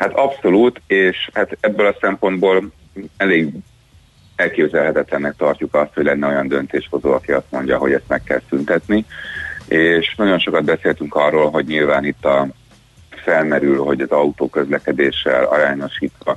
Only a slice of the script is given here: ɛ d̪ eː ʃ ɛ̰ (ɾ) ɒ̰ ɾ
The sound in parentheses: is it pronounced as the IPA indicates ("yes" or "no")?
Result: no